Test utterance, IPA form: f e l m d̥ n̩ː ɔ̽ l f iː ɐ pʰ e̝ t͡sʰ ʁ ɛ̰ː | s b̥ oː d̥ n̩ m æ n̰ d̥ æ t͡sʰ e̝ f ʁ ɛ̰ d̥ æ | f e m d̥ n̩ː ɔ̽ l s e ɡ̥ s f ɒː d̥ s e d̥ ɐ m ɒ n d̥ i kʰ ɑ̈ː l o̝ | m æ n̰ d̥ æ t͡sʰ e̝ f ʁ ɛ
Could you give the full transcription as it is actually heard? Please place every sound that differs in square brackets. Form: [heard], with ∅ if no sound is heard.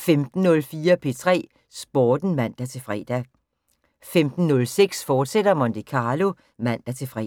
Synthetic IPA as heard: f e [∅] m d̥ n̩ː ɔ̽ l f iː ɐ pʰ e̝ t͡sʰ ʁ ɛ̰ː | s b̥ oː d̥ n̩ m æ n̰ d̥ æ t͡sʰ e̝ f ʁ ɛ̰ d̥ æ | f e m d̥ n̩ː ɔ̽ l s e ɡ̥ s f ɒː d̥ s e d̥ ɐ m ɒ n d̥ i kʰ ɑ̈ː l o̝ | m æ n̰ d̥ æ t͡sʰ e̝ f ʁ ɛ